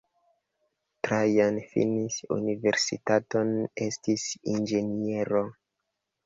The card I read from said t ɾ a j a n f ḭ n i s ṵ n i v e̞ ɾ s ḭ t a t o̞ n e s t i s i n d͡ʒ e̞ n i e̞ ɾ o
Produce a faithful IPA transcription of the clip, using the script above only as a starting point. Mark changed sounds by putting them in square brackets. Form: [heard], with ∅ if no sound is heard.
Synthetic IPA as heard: t ɾ a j a n f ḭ n i s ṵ n i v e̞ ɾ s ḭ t a t o̞ n e s t i s i n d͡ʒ e̞ n i e̞ ɾ o

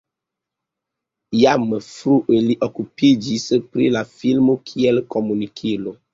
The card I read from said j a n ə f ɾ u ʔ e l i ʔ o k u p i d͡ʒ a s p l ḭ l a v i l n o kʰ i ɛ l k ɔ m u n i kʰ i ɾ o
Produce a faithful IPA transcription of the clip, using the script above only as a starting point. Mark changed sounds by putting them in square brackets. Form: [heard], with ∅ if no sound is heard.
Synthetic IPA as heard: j a [m] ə f ɾ u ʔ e l i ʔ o k u p i d͡ʒ [i] s p [ɾ] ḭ l a [f] i l [m] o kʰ i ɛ l k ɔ m u n i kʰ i [l] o

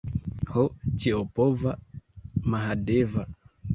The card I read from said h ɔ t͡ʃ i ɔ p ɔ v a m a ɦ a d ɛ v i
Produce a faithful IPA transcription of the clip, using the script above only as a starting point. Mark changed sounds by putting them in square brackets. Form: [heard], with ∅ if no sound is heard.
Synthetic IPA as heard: h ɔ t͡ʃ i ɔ p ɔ v a m a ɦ a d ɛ v [a]

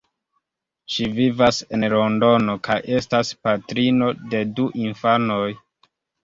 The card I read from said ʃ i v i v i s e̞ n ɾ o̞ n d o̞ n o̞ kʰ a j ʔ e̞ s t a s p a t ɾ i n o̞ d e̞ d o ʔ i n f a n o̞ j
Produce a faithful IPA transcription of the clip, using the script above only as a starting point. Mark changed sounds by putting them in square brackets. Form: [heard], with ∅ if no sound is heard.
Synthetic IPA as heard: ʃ i v i v [a] s e̞ n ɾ o̞ n d o̞ n o̞ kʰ a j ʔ e̞ s t a s p a t ɾ i n o̞ d e̞ d [u] ʔ i n f a n o̞ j

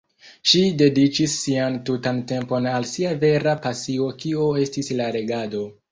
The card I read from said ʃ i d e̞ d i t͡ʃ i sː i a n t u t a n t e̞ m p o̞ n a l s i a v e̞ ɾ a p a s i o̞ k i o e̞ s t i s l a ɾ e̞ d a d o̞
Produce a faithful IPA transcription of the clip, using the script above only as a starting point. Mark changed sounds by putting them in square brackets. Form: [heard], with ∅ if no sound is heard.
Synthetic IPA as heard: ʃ i d e̞ d i t͡ʃ i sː i a n t u t a n t e̞ m p o̞ n a l s i a v e̞ ɾ a p a s i o̞ k i o e̞ s t i s l a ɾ e̞ [ɡ] a d o̞

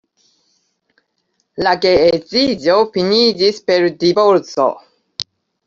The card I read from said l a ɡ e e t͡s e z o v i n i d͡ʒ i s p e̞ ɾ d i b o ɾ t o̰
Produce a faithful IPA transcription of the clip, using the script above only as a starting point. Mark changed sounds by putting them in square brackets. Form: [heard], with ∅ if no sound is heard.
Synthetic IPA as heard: l a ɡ e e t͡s [i] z o [f] i n i d͡ʒ i s p e̞ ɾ d i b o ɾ [t͡s] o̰

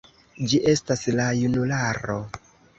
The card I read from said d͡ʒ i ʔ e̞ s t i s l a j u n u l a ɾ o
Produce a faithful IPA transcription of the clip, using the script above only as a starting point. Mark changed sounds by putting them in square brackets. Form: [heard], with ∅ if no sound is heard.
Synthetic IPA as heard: d͡ʒ i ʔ e̞ s t [a] s l a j u n u l a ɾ o

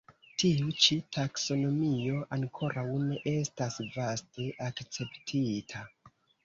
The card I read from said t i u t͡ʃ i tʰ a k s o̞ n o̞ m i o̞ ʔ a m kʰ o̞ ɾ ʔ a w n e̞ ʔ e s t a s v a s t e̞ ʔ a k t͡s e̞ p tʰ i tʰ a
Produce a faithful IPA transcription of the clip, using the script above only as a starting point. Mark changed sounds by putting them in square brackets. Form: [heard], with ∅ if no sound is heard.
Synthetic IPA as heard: t i u t͡ʃ i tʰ a k s o̞ n o̞ m i o̞ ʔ a [ŋ] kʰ o̞ ɾ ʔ a w n e̞ ʔ e s t a s v a s t e̞ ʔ a k t͡s e̞ p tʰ i tʰ a

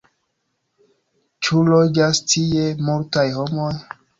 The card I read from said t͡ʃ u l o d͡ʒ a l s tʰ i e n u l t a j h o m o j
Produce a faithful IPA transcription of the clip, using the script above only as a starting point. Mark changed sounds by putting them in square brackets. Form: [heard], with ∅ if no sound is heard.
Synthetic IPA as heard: t͡ʃ u l o d͡ʒ a [∅] s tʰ i e [m] u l t a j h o m o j

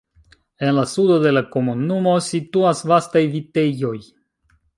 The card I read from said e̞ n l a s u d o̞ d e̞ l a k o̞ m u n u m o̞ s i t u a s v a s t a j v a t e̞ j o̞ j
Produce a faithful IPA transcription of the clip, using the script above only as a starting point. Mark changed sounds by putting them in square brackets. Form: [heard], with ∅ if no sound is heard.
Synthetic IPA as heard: e̞ n l a s u d o̞ d e̞ l a k o̞ m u n u m o̞ s i t u a s v a s t a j v [i] t e̞ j o̞ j

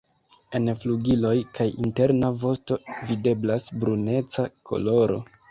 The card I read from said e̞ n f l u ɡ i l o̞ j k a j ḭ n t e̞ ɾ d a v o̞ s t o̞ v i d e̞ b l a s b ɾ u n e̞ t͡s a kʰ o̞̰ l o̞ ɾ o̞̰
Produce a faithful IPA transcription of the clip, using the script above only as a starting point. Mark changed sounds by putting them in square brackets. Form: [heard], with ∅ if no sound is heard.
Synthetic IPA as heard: e̞ n f l u ɡ i l o̞ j k a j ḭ n t e̞ ɾ [n] a v o̞ s t o̞ v i d e̞ b l a s b ɾ u n e̞ t͡s a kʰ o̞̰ l o̞ ɾ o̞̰

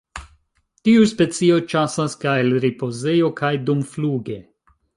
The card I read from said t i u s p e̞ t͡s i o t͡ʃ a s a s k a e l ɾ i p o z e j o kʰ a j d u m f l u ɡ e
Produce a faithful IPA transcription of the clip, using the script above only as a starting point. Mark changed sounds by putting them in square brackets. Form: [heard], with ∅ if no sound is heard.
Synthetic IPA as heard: t i u s p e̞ t͡s i o t͡ʃ a s a s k a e l ɾ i p o z e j o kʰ a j d u m f l u ɡ e

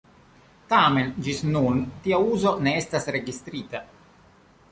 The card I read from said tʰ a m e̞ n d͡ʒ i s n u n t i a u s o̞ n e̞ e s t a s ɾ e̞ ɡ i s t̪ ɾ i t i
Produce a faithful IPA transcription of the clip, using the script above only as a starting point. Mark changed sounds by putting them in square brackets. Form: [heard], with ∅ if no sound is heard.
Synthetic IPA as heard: [t] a m e̞ n d͡ʒ i s n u n t i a u [z] o̞ n e̞ e s t a s ɾ e̞ ɡ i s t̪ ɾ i t [a]

